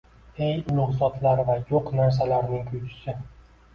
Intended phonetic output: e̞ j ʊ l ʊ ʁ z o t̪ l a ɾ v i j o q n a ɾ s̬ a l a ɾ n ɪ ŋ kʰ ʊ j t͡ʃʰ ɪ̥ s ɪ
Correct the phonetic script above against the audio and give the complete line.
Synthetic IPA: e̞ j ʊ l ʊ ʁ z ɒ t̪ l a ɾ v a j o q n a ɾ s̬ a l a ɾ n ɪ ŋ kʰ ʊ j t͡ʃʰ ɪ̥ s ɪ